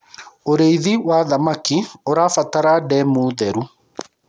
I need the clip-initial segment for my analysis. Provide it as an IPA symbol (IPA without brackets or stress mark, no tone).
o